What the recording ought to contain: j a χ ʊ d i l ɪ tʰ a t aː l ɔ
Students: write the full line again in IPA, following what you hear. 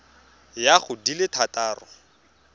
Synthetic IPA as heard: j a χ ʊ d i l ɪ tʰ a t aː r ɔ

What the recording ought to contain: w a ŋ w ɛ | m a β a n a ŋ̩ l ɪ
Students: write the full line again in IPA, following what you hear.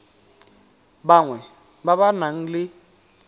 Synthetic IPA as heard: b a ŋ w ɛ | b a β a n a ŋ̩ l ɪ

